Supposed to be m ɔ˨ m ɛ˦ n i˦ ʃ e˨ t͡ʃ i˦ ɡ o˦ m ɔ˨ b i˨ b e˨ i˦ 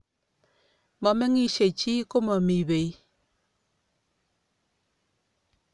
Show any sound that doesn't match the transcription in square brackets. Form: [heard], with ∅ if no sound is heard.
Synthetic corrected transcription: m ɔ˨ m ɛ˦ [ŋ] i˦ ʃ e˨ t͡ʃ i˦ [k] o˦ m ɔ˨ [m] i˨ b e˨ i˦